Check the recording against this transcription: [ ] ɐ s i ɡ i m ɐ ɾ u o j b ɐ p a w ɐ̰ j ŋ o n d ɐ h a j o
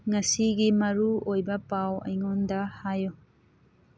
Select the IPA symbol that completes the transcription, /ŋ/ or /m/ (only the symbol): ŋ